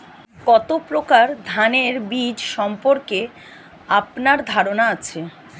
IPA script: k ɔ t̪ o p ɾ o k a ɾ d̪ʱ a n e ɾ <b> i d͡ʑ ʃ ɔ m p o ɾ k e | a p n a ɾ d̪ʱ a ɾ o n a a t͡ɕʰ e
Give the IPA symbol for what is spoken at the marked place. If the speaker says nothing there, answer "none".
b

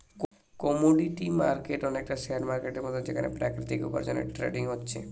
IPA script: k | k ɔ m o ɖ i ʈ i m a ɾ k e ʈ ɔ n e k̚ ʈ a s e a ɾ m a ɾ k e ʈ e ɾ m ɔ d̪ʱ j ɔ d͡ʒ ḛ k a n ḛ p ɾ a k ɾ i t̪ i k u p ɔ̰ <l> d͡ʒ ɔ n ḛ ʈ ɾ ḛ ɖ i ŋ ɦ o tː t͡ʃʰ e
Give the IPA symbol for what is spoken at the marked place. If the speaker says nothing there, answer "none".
ɾ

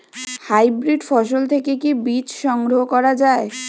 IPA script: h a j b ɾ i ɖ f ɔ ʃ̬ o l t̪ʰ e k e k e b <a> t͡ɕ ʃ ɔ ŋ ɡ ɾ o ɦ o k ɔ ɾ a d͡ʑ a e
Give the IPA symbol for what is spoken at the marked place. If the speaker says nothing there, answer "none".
i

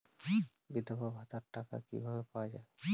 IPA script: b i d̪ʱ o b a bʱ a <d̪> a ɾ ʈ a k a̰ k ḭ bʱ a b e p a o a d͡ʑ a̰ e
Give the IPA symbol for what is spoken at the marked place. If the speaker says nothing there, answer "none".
t̪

